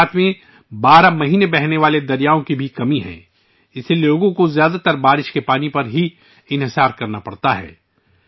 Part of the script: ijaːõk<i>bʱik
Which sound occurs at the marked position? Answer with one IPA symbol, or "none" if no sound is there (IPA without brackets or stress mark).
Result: i